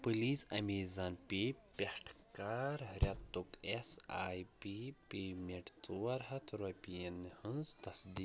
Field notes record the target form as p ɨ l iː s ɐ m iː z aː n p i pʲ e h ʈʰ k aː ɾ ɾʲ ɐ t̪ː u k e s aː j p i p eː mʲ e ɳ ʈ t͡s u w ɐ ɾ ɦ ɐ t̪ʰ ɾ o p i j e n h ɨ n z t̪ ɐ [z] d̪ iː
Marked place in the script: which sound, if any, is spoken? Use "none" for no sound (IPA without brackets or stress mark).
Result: s